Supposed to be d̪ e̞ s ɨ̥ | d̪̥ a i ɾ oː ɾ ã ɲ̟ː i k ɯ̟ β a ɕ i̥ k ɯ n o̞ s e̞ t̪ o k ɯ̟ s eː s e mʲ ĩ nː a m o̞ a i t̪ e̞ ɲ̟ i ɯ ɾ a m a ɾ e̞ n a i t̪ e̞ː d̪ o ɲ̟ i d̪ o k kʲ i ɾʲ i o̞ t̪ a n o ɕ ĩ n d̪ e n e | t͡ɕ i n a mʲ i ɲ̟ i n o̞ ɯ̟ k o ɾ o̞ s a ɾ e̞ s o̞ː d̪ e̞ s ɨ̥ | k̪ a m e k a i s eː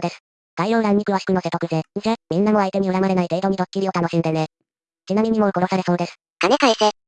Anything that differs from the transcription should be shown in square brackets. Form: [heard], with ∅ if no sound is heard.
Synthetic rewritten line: d̪ e̞ s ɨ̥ | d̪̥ a i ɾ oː ɾ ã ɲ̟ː i k ɯ̟ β a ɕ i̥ k ɯ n o̞ s e̞ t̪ o k ɯ̟ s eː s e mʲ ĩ nː a m o̞ a i t̪ e̞ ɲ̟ i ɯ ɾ a m a ɾ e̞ n a i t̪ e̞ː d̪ o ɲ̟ i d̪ o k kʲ i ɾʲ i o̞ t̪ a n o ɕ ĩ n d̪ e n e | t͡ɕ i n a mʲ i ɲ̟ i [m] o̞ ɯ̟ k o ɾ o̞ s a ɾ e̞ s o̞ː d̪ e̞ s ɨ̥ | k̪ a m e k a i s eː